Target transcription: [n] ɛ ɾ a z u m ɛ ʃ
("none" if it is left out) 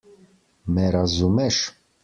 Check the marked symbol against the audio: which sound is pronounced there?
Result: m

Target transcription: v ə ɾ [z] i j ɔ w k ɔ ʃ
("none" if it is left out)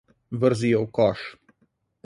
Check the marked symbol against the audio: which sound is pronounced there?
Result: z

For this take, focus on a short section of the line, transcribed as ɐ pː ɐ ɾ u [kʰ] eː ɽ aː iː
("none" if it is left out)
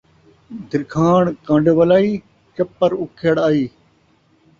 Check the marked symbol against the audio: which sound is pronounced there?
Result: kʰ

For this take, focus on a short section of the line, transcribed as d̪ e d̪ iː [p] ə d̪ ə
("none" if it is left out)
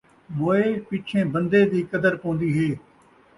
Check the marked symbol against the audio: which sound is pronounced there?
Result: k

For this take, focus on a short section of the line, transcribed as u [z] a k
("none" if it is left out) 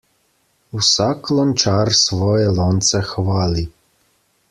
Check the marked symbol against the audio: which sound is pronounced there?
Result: s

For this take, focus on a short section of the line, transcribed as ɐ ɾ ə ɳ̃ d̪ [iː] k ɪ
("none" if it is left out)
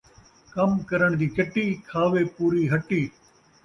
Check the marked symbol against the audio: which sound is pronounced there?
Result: iː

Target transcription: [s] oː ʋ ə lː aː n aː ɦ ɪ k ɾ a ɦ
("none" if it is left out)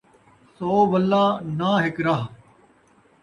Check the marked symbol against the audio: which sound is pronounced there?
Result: s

